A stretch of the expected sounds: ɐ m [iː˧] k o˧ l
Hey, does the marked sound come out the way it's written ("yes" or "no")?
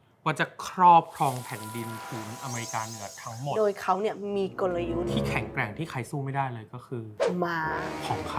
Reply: yes